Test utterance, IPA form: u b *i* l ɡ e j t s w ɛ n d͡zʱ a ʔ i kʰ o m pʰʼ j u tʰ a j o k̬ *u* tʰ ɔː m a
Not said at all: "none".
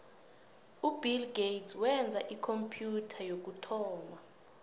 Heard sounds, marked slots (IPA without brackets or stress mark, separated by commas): i, u